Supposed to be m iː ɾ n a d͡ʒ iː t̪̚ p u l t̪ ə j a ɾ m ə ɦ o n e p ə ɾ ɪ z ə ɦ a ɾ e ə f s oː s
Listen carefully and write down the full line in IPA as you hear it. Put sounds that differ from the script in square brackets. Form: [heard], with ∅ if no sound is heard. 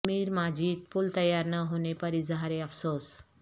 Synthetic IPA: m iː ɾ [m] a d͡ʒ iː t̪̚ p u l t̪ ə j a ɾ [n] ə ɦ o n e p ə ɾ [i] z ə ɦ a ɾ e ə f s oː s

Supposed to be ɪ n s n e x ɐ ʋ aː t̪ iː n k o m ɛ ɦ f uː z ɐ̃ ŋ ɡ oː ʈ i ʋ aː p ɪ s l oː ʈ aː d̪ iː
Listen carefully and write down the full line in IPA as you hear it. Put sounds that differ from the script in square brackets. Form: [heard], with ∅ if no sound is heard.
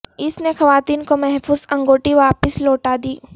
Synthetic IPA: ɪ [∅] s n e x ɐ ʋ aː t̪ iː n k o m ɛ ɦ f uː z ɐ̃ ŋ ɡ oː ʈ i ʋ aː p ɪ s l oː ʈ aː d̪ iː

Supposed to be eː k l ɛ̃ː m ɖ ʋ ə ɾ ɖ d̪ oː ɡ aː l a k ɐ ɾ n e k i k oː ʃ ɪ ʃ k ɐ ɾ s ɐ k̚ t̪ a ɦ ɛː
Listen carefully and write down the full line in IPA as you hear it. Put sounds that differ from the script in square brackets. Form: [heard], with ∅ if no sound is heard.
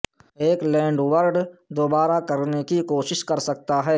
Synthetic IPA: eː k l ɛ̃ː [ɳ] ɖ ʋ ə ɾ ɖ d̪ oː [b] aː [ɾ] a k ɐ ɾ n e k i k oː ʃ ɪ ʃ k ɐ ɾ s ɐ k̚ t̪ a ɦ ɛː

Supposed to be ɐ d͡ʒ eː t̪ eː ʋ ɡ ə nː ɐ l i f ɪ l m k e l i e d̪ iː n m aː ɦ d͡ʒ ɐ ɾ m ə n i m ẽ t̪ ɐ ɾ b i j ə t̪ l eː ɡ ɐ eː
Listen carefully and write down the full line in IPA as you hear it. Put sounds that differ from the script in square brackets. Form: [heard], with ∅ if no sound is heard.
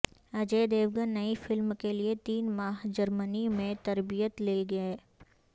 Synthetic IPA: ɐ d͡ʒ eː [d̪] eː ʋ ɡ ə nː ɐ [∅] i f ɪ l m k e l i e [t̪] iː n m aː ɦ d͡ʒ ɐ ɾ m ə n i m ẽ t̪ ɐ ɾ b i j ə t̪ l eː ɡ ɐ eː

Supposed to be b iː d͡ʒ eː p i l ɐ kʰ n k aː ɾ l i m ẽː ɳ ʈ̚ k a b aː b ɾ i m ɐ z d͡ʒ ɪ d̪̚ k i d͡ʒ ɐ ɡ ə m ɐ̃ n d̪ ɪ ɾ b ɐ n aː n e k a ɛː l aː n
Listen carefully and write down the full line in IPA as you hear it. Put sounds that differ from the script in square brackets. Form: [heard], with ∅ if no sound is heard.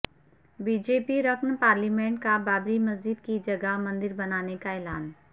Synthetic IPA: b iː d͡ʒ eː p i [ɾ] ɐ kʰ n [p] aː ɾ l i m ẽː ɳ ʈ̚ k a b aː b ɾ i m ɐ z d͡ʒ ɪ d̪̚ k i d͡ʒ ɐ ɡ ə m ɐ̃ n d̪ ɪ ɾ b ɐ n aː n e k a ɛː l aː n

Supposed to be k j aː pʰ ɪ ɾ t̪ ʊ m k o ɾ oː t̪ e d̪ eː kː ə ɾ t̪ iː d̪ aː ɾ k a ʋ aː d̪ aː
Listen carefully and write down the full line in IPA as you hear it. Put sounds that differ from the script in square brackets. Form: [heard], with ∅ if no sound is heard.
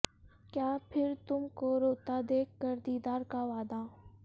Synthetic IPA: k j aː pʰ ɪ ɾ t̪ ʊ m k o ɾ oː t̪ [a] d̪ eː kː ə ɾ [d̪] iː d̪ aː ɾ k a ʋ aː d̪ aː

